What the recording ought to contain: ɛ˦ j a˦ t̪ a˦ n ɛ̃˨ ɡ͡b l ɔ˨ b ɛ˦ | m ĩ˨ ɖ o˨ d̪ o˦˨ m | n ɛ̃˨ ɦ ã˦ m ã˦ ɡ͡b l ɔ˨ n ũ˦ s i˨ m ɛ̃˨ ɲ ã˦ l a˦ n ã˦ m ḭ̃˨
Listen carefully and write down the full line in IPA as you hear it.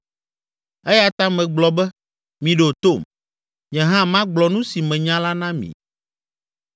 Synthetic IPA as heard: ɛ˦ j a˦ t̪ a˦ m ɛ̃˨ ɡ͡b l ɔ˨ b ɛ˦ | m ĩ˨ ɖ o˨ t̪ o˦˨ m | ɲ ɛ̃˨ ɦ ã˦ m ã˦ ɡ͡b l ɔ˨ n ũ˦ s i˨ m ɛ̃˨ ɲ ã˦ l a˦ n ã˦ m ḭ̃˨